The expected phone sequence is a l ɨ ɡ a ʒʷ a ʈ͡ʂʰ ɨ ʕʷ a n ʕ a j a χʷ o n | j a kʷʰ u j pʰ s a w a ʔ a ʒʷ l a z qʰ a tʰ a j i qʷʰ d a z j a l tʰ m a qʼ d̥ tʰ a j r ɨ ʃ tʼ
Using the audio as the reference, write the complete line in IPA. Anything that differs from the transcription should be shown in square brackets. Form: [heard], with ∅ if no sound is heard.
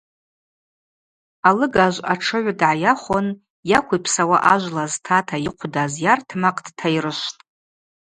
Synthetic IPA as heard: a l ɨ ɡ a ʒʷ a ʈ͡ʂʰ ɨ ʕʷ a [d] ʕ a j a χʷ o n | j a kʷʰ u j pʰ s a w a ʔ a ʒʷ l a z [tʰ] a tʰ a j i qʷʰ d a z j a [r] tʰ m a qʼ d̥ tʰ a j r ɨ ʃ tʼ